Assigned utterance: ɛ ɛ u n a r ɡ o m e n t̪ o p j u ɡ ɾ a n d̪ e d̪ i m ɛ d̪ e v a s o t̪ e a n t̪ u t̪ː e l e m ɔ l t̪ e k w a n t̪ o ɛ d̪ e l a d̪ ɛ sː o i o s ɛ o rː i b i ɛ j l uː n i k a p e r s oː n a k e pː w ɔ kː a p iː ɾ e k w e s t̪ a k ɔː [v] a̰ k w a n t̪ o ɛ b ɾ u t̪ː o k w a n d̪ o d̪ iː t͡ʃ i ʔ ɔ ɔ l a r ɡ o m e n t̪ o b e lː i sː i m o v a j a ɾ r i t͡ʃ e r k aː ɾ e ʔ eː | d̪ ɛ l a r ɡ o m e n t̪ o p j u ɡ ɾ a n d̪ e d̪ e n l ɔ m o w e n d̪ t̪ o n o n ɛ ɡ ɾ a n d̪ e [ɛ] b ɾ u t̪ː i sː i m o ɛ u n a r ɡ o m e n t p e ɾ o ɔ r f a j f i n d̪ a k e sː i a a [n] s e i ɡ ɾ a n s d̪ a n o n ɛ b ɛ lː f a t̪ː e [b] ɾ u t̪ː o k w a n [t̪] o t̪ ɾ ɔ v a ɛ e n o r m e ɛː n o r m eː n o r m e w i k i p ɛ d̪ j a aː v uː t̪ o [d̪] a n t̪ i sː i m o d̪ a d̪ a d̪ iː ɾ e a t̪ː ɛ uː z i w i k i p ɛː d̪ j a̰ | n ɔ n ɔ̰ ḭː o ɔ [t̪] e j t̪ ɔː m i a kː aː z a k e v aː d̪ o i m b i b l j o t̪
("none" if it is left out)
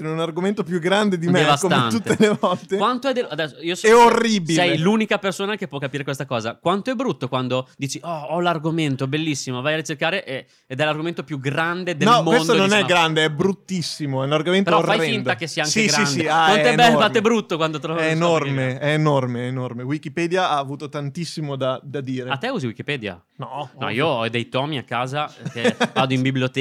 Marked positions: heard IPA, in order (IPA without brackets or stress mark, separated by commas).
z, ɛ, ŋ, b, d̪, t̪, d̪